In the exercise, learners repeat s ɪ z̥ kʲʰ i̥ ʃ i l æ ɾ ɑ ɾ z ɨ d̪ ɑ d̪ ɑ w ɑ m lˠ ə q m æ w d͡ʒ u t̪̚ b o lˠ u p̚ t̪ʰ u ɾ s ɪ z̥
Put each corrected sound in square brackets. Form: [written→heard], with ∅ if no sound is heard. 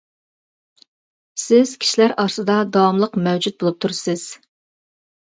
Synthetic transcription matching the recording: s ɪ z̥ kʲʰ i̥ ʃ i l æ ɾ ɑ ɾ [z→s] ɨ d̪ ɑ d̪ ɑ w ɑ m lˠ ə q m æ w d͡ʒ u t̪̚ b o lˠ u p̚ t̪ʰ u ɾ s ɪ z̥

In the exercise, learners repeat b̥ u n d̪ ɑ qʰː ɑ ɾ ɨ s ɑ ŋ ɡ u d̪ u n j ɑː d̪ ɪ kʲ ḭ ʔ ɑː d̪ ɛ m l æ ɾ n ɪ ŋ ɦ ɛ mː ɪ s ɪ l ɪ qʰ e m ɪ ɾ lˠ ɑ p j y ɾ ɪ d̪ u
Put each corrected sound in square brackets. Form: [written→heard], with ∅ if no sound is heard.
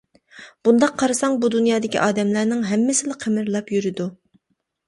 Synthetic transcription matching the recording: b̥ u n d̪ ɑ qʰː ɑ ɾ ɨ s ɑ ŋ [ɡ→b] u d̪ u n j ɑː d̪ ɪ kʲ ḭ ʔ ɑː d̪ ɛ m l æ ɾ n ɪ ŋ ɦ ɛ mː ɪ s ɪ l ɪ qʰ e m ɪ ɾ lˠ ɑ p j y ɾ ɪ d̪ u

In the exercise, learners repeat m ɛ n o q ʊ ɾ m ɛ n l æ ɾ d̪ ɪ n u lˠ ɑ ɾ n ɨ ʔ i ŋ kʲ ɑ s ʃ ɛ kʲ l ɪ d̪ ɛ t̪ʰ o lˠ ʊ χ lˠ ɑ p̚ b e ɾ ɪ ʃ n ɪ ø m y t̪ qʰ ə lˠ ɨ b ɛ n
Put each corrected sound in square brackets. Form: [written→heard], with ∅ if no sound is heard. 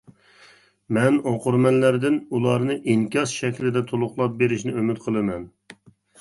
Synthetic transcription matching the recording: m ɛ n o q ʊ ɾ m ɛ n l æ ɾ d̪ ɪ n u lˠ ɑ ɾ n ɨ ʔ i ŋ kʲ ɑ s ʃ ɛ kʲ l ɪ d̪ ɛ t̪ʰ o lˠ ʊ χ lˠ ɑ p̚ b e ɾ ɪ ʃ n ɪ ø m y t̪ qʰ ə lˠ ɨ [b→m] ɛ n

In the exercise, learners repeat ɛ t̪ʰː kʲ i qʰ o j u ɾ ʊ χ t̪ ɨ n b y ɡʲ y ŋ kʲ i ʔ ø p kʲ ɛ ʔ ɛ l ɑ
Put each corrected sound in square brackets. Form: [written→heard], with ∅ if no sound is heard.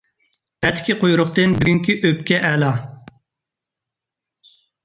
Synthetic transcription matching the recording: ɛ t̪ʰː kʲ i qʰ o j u ɾ ʊ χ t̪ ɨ n b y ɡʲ y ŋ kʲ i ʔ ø p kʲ ɛ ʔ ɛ l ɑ

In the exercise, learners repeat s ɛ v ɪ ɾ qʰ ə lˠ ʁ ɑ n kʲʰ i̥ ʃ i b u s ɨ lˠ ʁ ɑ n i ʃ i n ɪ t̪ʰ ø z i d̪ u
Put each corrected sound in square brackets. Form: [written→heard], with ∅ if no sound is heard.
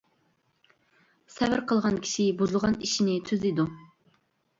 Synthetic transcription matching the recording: s ɛ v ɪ ɾ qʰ ə lˠ ʁ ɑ n kʲʰ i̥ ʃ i b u [s→z] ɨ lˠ ʁ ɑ n i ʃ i n ɪ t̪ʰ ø z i d̪ u

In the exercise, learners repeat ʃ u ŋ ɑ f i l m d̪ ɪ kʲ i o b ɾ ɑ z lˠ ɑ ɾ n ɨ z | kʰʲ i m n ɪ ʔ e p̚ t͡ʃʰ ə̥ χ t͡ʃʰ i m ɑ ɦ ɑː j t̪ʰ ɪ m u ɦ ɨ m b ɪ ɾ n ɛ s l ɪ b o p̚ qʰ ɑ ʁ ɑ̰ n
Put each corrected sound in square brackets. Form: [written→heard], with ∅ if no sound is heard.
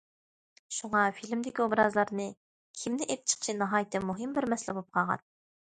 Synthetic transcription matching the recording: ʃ u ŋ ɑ f i l m d̪ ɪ kʲ i o b ɾ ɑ z lˠ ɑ ɾ n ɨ [z→∅] | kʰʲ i m n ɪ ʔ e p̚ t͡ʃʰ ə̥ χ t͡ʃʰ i [m→n] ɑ ɦ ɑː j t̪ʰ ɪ m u ɦ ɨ m b ɪ ɾ [n→m] ɛ s l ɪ b o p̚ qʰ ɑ ʁ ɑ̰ n

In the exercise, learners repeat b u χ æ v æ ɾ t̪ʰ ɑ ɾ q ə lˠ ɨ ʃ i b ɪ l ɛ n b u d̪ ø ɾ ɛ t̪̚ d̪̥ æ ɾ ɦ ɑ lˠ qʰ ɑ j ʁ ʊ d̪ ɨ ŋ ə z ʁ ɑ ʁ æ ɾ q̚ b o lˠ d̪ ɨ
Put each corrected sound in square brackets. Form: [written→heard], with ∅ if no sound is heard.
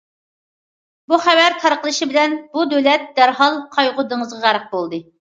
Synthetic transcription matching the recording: b u χ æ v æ ɾ t̪ʰ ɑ ɾ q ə lˠ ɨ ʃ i b ɪ l ɛ n b u d̪ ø [ɾ→l] ɛ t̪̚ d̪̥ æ ɾ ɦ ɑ lˠ qʰ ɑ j ʁ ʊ d̪ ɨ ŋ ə z ʁ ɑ ʁ æ ɾ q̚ b o lˠ d̪ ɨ

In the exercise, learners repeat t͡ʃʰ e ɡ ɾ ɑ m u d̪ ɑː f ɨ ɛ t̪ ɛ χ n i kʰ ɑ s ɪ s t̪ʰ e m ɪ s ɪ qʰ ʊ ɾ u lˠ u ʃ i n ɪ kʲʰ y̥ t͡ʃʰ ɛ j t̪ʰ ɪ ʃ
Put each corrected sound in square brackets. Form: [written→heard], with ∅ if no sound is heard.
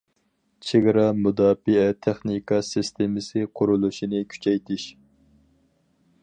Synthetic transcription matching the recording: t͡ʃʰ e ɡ ɾ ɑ m u d̪ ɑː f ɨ ɛ [t̪→t̪ʰ] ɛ χ n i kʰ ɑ s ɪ s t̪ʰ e m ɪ s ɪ qʰ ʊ ɾ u lˠ u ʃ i n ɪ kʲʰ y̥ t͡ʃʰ ɛ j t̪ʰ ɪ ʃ

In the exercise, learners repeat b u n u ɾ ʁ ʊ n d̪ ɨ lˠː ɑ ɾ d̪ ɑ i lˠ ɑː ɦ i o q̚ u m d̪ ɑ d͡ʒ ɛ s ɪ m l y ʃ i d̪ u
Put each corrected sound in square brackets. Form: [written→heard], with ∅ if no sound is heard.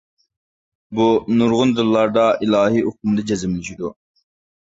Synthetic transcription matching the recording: b u n u ɾ ʁ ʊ n d̪ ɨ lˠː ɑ ɾ d̪ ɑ i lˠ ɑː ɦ i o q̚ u m d̪ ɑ d͡ʒ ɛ [s→z] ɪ m l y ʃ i d̪ u

